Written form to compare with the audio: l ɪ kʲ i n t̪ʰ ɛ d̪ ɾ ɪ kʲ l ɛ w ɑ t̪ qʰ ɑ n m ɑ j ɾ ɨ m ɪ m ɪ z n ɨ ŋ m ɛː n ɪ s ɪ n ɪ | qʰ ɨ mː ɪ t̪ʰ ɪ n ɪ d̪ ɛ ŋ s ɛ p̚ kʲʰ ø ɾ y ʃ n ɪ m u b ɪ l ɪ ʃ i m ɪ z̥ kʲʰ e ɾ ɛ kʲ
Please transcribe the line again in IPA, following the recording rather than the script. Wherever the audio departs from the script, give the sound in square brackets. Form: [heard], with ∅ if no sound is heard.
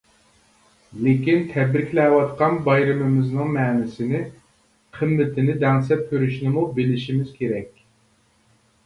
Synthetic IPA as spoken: l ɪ kʲ i n t̪ʰ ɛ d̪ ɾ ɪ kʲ l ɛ w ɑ t̪ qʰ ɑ n [b] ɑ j ɾ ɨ m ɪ m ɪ z n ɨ ŋ m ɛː n ɪ s ɪ n ɪ | qʰ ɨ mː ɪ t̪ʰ ɪ n ɪ d̪ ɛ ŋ s ɛ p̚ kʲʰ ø ɾ y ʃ n ɪ m u b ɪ l ɪ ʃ i m ɪ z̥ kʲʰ e ɾ ɛ kʲ

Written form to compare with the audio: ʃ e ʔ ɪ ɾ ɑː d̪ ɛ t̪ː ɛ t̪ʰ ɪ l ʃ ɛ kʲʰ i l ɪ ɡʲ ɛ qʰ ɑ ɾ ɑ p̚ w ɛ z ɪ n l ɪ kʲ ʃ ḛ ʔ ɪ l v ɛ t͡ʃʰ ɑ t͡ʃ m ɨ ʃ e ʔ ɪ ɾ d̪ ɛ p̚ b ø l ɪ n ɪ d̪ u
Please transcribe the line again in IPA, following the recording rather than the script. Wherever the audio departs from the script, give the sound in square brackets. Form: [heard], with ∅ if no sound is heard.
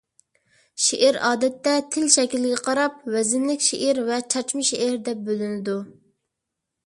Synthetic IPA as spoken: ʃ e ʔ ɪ ɾ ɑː d̪ ɛ t̪ː ɛ t̪ʰ ɪ l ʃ ɛ [kʲ] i l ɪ ɡʲ ɛ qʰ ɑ ɾ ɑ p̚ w ɛ z ɪ n l ɪ kʲ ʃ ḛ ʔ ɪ [ɾ] v ɛ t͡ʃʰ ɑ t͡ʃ m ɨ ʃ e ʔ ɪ ɾ d̪ ɛ p̚ b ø l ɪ n ɪ d̪ u

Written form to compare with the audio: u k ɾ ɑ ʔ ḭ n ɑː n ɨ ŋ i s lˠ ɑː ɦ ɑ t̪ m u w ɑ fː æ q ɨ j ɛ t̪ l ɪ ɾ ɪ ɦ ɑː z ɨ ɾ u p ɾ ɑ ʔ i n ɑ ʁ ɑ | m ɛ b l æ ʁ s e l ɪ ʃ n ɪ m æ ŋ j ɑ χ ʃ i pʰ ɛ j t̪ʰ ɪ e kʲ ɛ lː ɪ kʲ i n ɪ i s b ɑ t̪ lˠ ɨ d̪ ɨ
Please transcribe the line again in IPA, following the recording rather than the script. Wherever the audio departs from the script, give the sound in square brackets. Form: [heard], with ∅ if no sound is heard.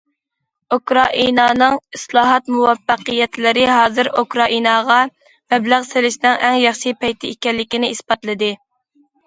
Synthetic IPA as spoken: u k ɾ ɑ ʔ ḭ n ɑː n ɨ ŋ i s lˠ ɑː ɦ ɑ t̪ m u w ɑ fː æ q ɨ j ɛ t̪ l ɪ ɾ ɪ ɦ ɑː z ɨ ɾ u [k] ɾ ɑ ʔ i n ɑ ʁ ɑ | m ɛ b l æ ʁ s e l ɪ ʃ n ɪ [ŋ] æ ŋ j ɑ χ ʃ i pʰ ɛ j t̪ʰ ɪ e kʲ ɛ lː ɪ kʲ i n ɪ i s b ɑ t̪ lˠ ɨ d̪ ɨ

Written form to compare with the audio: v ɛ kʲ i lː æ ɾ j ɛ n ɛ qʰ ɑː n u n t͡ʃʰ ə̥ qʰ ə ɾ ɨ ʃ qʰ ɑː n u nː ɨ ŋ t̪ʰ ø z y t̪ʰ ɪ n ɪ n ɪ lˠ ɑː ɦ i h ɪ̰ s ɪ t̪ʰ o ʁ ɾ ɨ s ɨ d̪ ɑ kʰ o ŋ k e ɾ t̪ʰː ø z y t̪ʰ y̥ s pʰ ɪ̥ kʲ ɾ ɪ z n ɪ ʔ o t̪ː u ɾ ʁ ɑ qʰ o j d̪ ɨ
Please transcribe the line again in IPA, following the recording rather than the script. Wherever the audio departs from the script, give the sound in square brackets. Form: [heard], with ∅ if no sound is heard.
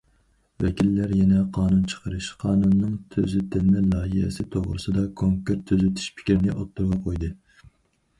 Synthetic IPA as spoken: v ɛ kʲ i lː æ ɾ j ɛ n ɛ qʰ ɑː n u n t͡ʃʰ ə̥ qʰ ə ɾ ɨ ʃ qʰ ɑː n u nː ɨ ŋ t̪ʰ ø z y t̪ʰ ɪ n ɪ n ɪ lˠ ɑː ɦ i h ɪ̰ s ɪ t̪ʰ o ʁ ɾ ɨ s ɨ d̪ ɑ kʰ o ŋ k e ɾ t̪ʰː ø z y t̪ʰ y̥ [ʃ] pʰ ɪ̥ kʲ ɾ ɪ [∅] n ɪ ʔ o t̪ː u ɾ ʁ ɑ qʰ o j d̪ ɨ

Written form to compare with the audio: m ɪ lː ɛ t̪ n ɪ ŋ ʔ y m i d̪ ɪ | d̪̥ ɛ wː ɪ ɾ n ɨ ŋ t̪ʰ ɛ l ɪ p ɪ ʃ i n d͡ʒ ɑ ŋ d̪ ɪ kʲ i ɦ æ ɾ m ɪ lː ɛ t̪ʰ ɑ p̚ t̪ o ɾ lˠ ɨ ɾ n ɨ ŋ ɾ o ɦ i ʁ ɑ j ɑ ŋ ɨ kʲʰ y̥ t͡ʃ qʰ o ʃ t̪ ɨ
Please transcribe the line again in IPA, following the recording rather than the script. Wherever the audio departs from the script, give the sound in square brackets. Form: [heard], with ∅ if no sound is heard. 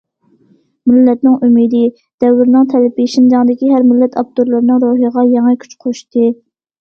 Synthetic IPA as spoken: m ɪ lː ɛ t̪ n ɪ ŋ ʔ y m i d̪ ɪ | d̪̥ ɛ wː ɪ ɾ n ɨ ŋ t̪ʰ ɛ l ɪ p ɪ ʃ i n d͡ʒ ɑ ŋ d̪ ɪ kʲ i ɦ æ ɾ m ɪ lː ɛ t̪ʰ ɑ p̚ t̪ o ɾ lˠ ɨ ɾ n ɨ ŋ ɾ o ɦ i ʁ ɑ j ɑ ŋ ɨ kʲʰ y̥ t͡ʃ qʰ o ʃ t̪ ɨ

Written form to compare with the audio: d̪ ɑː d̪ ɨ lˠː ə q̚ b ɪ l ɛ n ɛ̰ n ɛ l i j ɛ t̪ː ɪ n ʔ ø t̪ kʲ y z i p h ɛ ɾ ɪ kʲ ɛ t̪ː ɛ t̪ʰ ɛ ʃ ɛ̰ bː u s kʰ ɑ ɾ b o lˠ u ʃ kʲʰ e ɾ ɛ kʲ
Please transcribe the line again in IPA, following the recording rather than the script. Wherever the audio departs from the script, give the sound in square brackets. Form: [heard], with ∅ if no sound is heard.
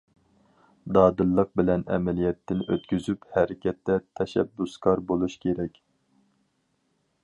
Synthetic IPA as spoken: d̪ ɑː d̪ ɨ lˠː ə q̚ b ɪ l ɛ n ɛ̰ [m] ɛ l i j ɛ t̪ː ɪ n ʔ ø t̪ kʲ y z [y] p h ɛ ɾ ɪ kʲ ɛ t̪ː ɛ t̪ʰ ɛ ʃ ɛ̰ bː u s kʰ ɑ ɾ b o lˠ u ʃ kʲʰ e ɾ ɛ kʲ

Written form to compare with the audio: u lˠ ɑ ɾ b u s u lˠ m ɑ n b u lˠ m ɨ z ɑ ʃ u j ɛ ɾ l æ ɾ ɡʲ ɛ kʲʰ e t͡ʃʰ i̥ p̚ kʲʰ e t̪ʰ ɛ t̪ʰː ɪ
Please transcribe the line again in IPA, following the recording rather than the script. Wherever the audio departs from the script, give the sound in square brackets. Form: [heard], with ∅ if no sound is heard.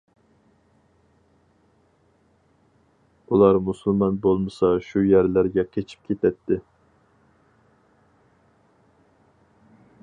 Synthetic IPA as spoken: u lˠ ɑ ɾ [m] u s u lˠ m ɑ n b [o] lˠ m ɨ [s] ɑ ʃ u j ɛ ɾ l æ ɾ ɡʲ ɛ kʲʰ e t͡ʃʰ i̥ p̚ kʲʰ e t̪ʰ ɛ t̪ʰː ɪ

